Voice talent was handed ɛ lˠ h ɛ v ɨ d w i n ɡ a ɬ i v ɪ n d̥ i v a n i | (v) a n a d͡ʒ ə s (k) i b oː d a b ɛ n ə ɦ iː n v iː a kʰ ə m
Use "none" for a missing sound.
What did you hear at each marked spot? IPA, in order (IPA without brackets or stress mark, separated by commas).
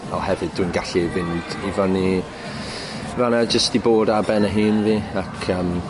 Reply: v, t